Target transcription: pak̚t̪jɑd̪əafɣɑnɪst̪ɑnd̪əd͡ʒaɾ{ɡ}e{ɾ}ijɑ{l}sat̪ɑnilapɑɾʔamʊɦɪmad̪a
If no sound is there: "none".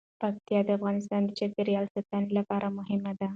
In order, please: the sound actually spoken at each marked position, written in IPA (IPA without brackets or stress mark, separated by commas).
ɡ, ɾ, l